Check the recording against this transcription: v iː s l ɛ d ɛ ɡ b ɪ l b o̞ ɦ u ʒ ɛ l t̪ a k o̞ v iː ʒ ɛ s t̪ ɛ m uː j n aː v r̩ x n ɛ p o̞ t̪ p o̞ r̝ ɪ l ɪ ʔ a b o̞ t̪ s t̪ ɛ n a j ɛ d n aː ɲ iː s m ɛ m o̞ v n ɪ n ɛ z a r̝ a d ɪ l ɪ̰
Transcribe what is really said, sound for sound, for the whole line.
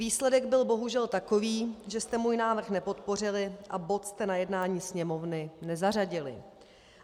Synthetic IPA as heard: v iː s l ɛ d ɛ ɡ b ɪ l b o̞ ɦ u ʒ ɛ l t̪ a k o̞ v iː ʒ ɛ s t̪ ɛ m uː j n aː v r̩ x n ɛ p o̞ t̪ p o̞ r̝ ɪ l ɪ ʔ a b o̞ t̪ s t̪ ɛ n a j ɛ d n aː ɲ iː s ɲ ɛ m o̞ v n ɪ n ɛ z a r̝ a ɟ ɪ l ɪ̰

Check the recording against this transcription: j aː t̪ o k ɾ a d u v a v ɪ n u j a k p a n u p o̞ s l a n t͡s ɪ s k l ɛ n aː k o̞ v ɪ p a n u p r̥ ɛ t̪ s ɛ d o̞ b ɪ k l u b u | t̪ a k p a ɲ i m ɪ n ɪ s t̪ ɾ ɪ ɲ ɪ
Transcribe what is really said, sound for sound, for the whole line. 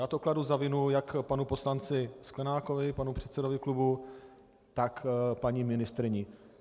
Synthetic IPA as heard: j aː t̪ o k l a d u z a v ɪ n u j a k p a n u p o̞ s l a n t͡s ɪ s k l ɛ n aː k o̞ v ɪ p a n u p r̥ ɛ t̪ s ɛ d o̞ v ɪ k l u b u | t̪ a k p a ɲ i m ɪ n ɪ s t̪ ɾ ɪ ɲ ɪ

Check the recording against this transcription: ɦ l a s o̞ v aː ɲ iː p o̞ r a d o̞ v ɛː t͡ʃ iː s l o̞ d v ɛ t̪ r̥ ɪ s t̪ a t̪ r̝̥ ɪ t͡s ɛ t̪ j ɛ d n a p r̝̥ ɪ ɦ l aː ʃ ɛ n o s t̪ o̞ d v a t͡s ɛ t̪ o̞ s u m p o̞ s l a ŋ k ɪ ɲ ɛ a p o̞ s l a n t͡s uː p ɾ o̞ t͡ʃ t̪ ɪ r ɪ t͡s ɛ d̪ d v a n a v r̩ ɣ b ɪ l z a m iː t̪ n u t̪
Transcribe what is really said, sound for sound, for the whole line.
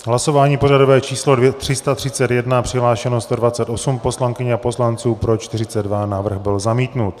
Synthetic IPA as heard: ɦ l a s o̞ v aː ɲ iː p o̞ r a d o̞ v ɛː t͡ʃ iː s l o̞ d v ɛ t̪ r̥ ɪ s t̪ a t̪ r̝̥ ɪ t͡s ɛ t̪ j ɛ d n a p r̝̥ ɪ ɦ l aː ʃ ɛ n o s t̪ o̞ d v a t͡s ɛ t̪ o̞ s u m p o̞ s l a ŋ k ɪ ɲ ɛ a p o̞ s l a n t͡s uː p ɾ o̞ t͡ʃ t̪ ɪ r ɪ t͡s ɛ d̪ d v a n a v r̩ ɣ b ɪ l z a m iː t̪ n u t̪

